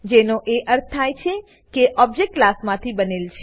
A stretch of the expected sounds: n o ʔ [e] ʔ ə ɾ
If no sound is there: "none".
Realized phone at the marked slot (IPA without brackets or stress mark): e